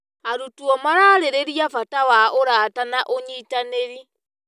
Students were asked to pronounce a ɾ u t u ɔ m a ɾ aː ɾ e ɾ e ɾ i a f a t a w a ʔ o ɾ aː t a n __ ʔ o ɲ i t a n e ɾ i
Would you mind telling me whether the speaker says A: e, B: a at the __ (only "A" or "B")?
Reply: B